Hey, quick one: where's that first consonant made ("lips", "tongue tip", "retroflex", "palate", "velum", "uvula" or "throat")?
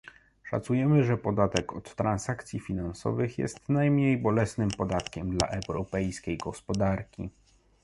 retroflex